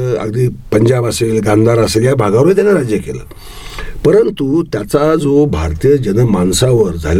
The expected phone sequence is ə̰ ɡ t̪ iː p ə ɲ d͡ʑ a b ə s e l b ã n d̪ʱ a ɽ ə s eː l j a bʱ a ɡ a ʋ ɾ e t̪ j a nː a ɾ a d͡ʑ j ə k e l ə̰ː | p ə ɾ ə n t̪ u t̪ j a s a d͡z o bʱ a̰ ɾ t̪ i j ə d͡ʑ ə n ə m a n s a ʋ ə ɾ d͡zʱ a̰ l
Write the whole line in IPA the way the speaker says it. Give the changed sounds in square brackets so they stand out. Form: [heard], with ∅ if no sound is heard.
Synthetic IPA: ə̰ ɡ [d̪] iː p ə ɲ d͡ʑ a b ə s e l [ɡ] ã n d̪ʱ a [ɾ] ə s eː l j a bʱ a ɡ a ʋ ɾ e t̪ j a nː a ɾ a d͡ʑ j ə k e l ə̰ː | p ə ɾ ə n t̪ u t̪ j a [t͡s] a d͡z o bʱ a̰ ɾ t̪ i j ə d͡ʑ ə n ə m a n s a ʋ ə ɾ d͡zʱ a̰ l